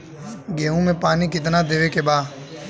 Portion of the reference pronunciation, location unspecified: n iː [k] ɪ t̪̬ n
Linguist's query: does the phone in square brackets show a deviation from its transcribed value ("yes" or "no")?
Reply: no